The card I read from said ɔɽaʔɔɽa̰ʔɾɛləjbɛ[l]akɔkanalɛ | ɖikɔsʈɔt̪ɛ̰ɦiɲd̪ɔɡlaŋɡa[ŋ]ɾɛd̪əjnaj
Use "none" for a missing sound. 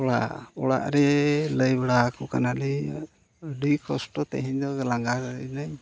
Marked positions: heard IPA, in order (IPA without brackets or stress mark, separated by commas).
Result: ɽ, none